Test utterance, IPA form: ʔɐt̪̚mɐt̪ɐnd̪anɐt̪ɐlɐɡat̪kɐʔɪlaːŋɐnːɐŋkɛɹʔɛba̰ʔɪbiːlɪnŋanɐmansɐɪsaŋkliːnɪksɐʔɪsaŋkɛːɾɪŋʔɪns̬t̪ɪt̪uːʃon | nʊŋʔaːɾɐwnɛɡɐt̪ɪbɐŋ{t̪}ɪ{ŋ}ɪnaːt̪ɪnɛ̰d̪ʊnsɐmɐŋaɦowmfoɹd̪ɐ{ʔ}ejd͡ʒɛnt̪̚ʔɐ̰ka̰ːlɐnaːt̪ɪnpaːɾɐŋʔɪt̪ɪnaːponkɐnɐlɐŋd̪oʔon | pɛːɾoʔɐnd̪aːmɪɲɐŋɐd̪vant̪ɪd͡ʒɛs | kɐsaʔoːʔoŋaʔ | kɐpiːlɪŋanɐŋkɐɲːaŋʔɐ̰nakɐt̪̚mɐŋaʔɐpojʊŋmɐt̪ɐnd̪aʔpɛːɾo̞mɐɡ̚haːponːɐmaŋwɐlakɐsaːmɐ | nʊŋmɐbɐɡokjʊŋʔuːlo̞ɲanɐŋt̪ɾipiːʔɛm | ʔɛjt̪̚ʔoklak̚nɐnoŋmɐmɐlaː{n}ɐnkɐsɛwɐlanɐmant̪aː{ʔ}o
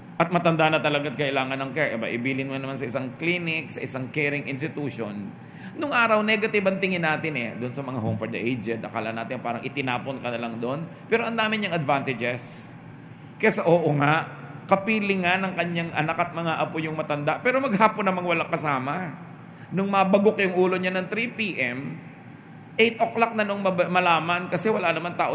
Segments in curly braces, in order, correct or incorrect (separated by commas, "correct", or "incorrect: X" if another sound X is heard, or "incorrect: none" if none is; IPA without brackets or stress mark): correct, correct, correct, incorrect: m, correct